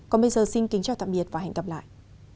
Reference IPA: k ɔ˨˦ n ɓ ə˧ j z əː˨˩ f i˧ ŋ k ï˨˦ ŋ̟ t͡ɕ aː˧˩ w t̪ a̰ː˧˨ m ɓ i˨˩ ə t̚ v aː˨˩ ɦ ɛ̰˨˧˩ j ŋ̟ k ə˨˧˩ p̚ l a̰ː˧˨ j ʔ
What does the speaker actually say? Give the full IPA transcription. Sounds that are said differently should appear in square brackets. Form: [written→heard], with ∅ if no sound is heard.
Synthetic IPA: k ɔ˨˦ n ɓ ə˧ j z əː˨˩ [f→s] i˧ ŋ k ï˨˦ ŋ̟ t͡ɕ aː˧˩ w t̪ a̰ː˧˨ m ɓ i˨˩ ə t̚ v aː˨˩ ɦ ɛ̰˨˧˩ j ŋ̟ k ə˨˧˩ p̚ l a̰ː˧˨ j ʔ